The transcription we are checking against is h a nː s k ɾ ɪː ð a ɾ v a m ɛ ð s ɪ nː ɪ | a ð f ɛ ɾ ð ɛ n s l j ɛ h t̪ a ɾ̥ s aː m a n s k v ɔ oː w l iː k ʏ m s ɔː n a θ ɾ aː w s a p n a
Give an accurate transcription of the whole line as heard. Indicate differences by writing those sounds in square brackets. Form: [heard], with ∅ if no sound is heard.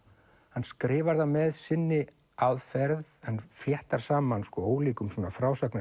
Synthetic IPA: h a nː s k ɾ ɪː [v] a ɾ [ð] a m ɛ ð s ɪ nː ɪ | a ð f ɛ ɾ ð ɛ n [f] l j ɛ h t̪ a ɾ̥ s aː m a n s k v ɔ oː w l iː k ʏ m s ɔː n a [f] ɾ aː w s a [k] n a